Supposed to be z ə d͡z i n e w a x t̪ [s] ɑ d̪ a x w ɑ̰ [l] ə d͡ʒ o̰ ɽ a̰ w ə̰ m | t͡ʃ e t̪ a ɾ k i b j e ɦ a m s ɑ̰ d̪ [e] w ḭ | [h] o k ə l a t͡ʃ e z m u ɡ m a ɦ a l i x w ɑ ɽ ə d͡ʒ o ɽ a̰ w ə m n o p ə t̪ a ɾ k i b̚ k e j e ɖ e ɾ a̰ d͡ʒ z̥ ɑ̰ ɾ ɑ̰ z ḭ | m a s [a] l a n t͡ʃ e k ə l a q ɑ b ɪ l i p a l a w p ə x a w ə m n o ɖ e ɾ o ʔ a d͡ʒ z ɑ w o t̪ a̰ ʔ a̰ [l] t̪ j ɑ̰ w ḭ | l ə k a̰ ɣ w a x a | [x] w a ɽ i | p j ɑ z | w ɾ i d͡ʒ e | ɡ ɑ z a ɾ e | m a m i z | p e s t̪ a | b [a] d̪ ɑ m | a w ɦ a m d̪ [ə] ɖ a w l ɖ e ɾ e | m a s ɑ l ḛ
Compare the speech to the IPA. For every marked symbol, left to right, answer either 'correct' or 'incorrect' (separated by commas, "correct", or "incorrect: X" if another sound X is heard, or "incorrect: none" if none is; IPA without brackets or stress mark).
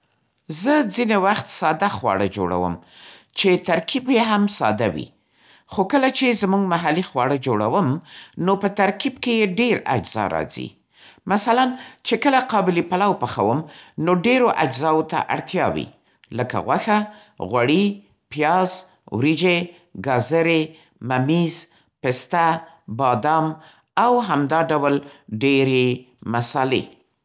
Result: correct, incorrect: ɽ, incorrect: a, incorrect: x, correct, incorrect: ɽ, incorrect: ɣ, incorrect: ɑ, incorrect: ɑ